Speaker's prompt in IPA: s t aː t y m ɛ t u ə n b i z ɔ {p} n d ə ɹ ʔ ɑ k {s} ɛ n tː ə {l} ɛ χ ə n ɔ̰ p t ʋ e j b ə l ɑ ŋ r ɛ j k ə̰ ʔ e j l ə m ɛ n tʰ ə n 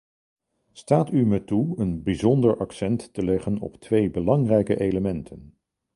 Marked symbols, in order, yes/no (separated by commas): no, yes, yes